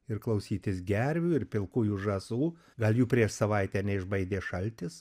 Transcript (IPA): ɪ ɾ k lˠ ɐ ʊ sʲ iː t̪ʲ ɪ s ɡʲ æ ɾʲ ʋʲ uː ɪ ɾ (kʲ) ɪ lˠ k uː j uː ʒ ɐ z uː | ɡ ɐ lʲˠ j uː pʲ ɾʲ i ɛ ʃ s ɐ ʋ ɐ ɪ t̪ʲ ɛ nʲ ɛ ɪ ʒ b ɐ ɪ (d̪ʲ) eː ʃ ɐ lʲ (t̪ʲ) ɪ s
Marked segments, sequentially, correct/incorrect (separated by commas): incorrect, correct, correct